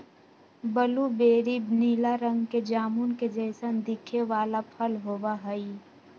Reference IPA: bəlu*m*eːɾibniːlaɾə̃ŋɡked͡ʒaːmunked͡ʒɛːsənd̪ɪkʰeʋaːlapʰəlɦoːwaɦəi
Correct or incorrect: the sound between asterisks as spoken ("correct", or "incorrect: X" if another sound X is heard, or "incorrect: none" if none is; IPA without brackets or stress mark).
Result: incorrect: b